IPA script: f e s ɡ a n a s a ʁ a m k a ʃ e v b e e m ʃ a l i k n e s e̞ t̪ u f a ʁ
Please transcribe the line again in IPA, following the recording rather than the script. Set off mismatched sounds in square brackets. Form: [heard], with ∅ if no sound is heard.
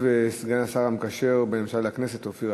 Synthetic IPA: [v] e s ɡ a n a s a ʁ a m k a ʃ e [ʁ] b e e m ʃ a l [a] k n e s e̞ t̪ [o] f [i] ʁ